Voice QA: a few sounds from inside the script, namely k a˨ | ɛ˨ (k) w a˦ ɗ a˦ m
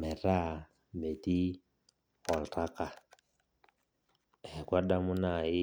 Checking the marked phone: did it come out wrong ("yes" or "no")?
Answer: no